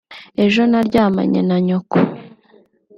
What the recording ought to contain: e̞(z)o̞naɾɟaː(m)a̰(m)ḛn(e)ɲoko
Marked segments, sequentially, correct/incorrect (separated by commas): incorrect, correct, incorrect, incorrect